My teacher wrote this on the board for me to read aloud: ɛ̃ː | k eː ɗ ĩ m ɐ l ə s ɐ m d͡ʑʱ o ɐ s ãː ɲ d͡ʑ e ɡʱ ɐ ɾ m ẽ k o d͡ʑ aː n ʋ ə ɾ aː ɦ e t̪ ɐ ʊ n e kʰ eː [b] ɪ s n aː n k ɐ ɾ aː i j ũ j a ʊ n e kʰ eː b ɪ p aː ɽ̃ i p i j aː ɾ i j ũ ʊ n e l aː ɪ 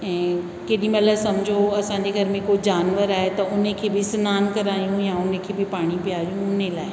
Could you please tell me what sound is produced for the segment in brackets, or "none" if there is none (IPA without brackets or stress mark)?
b